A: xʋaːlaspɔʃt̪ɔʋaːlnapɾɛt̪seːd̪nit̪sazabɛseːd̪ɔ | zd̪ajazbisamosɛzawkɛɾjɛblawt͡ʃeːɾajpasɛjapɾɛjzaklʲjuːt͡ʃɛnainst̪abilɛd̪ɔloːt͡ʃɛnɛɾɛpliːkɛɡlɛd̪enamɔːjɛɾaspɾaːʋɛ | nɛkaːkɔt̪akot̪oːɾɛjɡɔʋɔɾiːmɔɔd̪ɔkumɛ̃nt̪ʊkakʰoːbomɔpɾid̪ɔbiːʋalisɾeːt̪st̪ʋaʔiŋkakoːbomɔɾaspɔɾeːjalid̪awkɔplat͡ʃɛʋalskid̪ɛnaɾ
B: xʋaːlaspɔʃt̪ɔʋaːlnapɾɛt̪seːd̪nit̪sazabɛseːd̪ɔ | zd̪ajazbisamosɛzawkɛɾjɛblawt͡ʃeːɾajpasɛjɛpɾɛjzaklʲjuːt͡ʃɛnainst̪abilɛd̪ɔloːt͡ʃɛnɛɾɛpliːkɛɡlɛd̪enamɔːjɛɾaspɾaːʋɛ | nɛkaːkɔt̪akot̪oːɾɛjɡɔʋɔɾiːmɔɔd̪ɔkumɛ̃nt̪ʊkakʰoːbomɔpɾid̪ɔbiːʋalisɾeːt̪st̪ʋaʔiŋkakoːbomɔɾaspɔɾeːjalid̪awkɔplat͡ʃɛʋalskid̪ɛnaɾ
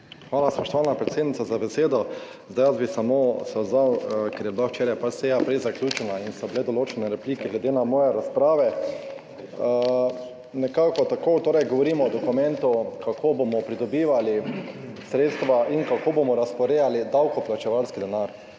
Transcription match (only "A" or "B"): A